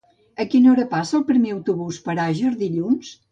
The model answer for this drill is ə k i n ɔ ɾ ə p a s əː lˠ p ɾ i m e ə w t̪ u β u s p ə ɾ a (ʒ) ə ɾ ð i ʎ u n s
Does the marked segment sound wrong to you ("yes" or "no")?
no